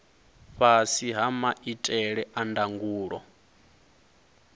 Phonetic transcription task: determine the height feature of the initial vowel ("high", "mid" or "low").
low